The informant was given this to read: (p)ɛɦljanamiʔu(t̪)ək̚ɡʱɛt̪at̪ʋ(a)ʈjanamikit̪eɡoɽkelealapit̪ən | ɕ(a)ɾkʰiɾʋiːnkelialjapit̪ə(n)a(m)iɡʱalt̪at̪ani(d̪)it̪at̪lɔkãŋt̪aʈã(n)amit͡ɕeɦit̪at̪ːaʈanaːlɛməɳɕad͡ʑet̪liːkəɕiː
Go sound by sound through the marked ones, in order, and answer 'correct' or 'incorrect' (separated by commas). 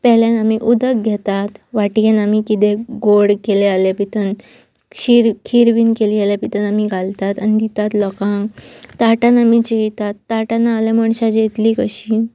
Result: correct, incorrect, correct, incorrect, correct, correct, correct, correct